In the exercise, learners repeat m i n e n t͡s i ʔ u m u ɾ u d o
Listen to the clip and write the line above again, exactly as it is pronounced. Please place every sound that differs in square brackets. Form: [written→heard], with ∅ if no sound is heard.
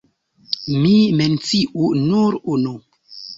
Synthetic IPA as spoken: m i [n→m] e n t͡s i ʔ u [m→n] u ɾ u [d→n] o